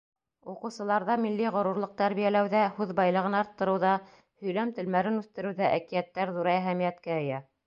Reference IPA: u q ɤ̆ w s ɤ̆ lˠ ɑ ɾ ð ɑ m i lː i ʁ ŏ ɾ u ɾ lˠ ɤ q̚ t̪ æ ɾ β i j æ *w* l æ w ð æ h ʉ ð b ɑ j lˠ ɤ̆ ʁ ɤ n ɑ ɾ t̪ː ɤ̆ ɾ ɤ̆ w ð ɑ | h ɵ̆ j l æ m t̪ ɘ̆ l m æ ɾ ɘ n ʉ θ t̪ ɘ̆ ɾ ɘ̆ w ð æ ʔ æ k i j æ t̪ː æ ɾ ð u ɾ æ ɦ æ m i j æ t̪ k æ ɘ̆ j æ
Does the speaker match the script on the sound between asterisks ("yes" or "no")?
no